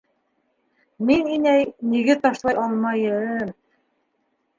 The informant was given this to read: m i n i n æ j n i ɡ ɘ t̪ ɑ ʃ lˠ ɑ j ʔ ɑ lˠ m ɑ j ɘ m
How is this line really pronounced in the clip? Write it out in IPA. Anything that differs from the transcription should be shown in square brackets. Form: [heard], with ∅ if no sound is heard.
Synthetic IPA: m i n i n æ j n i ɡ ɘ t̪ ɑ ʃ lˠ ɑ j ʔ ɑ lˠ m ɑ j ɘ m